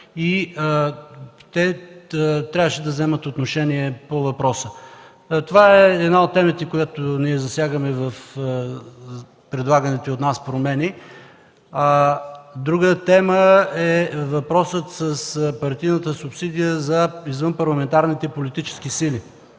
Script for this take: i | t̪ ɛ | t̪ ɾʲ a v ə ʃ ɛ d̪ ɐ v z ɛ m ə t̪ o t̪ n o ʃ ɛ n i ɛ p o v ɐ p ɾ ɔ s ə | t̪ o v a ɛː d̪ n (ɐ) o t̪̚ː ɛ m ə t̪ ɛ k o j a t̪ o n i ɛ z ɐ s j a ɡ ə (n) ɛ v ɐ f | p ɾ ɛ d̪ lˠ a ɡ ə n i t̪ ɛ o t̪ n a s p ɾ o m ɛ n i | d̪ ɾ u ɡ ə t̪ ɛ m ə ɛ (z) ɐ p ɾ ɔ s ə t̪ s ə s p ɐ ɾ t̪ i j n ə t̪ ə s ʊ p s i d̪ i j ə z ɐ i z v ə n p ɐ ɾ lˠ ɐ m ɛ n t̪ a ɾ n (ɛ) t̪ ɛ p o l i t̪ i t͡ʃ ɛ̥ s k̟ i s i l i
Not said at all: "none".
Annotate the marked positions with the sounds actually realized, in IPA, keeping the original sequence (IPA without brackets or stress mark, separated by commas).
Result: a, m, v, i